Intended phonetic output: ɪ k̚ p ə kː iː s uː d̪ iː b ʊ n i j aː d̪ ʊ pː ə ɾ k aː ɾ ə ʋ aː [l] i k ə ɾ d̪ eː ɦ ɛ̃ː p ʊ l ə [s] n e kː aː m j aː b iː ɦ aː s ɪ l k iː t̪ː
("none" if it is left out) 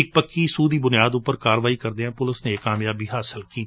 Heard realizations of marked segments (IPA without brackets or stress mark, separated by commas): none, s